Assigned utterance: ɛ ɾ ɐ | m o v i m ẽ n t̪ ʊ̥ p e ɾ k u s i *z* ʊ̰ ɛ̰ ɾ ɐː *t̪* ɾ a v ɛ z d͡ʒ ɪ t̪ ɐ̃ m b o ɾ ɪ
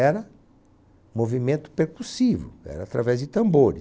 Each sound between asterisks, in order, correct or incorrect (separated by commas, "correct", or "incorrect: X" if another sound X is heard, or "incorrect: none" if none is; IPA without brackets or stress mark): incorrect: v, correct